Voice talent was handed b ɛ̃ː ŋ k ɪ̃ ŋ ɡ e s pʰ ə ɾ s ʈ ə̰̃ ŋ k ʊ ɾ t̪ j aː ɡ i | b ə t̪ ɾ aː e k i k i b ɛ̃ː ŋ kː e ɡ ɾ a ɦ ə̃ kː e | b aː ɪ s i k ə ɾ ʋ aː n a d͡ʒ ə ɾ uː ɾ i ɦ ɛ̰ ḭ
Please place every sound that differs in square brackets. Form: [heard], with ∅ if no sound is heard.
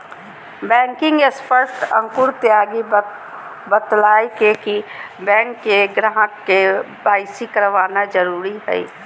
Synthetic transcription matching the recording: b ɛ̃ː ŋ k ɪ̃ ŋ ɡ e s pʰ ə ɾ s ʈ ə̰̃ ŋ k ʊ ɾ t̪ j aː ɡ i | b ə t̪ [l] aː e k [e] k i b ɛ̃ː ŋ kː e ɡ ɾ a ɦ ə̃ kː e | b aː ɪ s i k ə ɾ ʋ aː n a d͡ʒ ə ɾ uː ɾ i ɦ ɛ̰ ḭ